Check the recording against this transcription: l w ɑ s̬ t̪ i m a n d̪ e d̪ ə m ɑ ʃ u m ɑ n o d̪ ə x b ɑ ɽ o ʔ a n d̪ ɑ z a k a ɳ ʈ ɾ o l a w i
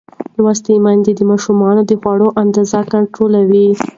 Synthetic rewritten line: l w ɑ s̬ t̪ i m a n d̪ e d̪ ə m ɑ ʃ u m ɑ n o d̪ ə x w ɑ ɽ o ʔ a n d̪ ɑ z a k a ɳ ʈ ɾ o l a w i